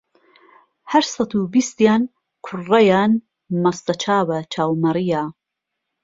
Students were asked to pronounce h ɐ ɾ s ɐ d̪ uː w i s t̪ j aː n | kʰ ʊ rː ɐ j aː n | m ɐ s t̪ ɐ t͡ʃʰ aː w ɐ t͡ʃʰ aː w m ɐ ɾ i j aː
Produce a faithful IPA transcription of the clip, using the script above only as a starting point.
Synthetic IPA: h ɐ ɾ s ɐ t̪ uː b i s t̪ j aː n | kʰ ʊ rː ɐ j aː n | m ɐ s t̪ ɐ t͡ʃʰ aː w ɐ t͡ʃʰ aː w m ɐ ɾ i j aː